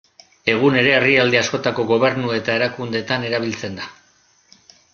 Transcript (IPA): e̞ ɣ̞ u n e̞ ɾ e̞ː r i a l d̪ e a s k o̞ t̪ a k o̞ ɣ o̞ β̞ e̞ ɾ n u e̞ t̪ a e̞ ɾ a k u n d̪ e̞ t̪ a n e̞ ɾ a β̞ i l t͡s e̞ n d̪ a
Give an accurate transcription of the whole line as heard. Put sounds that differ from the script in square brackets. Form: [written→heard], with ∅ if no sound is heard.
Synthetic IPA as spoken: e̞ ɣ̞ u n e̞ ɾ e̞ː r i a l d̪ e a s k o̞ t̪ a k o̞ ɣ o̞ β̞ e̞ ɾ n u e̞ t̪ a e̞ ɾ a k u n d̪ e̞ t̪ a n e̞ ɾ a β̞ i l t͡s e̞ n d̪ a